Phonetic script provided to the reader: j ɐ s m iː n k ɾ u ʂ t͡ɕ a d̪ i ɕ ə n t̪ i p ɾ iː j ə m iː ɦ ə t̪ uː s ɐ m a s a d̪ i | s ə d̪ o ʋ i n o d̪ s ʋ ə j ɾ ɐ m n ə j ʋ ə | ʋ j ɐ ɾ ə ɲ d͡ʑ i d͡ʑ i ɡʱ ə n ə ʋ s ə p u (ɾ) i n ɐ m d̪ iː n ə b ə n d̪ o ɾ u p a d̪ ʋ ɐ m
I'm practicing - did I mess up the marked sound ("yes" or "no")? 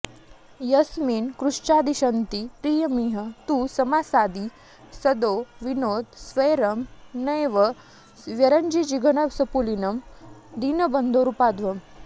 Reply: yes